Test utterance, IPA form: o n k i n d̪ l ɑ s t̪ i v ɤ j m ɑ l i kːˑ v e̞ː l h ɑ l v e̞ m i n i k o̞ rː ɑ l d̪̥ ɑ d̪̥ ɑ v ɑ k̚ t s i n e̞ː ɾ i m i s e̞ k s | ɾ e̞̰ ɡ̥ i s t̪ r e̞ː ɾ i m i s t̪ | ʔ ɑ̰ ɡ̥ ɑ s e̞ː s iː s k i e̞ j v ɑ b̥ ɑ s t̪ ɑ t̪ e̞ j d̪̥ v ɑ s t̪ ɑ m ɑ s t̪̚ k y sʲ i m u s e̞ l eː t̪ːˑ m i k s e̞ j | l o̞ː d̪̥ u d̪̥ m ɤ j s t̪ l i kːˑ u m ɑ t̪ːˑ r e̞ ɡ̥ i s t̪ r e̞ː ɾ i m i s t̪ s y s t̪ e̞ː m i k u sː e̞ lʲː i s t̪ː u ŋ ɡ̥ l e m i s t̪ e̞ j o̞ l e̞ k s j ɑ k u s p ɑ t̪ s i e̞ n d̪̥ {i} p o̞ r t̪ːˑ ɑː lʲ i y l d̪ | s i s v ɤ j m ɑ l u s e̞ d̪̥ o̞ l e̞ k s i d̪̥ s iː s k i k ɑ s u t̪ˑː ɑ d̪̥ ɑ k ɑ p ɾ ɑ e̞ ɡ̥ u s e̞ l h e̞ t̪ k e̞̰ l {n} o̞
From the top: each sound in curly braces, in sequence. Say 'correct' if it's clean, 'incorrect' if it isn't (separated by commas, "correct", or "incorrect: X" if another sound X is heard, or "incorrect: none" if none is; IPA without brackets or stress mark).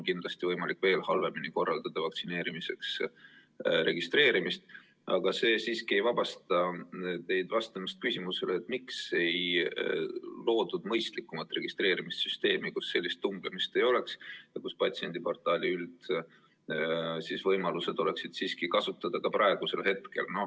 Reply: correct, correct